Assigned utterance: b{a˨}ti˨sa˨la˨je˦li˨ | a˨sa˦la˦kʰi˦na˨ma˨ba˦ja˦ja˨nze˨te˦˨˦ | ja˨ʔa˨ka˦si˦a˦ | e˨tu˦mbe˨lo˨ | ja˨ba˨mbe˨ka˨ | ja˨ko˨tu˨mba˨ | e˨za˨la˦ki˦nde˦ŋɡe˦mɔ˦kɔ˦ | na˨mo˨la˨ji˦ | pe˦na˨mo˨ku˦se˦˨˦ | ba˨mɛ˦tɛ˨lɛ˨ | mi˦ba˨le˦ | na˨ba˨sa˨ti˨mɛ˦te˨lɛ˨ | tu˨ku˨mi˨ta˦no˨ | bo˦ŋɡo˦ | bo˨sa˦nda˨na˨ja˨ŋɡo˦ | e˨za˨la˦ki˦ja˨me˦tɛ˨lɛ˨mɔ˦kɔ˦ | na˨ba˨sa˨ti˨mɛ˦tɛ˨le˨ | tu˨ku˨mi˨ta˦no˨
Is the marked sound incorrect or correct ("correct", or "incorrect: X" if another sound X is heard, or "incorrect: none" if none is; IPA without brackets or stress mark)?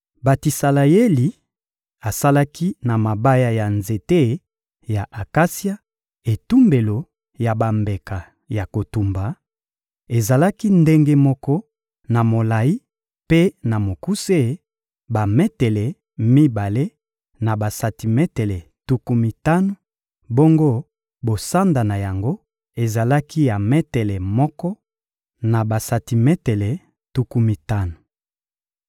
correct